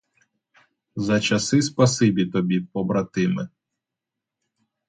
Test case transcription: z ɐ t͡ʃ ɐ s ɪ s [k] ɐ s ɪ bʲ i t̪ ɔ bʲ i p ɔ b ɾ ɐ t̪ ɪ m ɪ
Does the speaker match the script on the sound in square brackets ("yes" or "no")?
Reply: no